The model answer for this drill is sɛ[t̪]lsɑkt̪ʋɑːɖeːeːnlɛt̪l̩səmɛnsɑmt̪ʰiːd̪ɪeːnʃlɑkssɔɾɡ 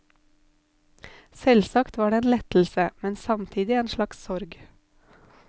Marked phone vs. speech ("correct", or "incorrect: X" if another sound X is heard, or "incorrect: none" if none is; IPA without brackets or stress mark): incorrect: none